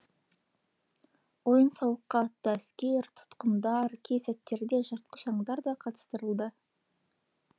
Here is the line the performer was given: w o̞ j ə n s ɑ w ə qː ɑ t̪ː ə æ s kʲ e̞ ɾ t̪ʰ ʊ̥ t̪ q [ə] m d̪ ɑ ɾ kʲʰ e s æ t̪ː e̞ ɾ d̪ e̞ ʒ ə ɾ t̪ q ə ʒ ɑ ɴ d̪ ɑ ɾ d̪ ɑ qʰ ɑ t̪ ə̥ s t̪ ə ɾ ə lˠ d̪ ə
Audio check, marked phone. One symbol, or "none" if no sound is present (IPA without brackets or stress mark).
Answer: ə